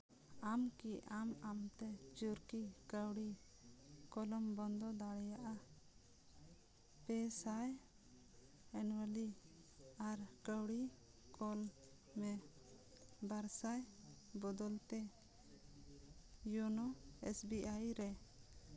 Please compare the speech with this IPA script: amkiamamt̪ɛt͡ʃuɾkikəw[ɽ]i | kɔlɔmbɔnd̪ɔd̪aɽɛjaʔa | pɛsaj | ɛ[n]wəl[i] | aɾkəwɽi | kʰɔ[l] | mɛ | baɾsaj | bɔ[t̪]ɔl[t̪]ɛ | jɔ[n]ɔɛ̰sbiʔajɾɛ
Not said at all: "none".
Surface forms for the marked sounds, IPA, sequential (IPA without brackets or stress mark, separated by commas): ɽ, n, i, l, d̪, t̪, n